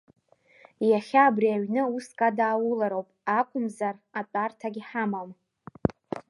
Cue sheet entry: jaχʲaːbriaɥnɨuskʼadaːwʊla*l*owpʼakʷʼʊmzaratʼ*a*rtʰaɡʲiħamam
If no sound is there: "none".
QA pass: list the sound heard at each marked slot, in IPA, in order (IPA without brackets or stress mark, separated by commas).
ɾ, a